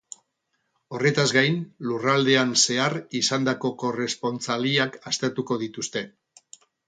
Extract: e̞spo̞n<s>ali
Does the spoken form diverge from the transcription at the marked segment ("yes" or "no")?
yes